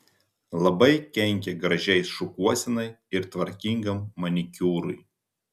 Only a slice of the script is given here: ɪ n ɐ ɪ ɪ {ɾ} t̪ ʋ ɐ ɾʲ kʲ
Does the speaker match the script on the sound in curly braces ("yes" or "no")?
yes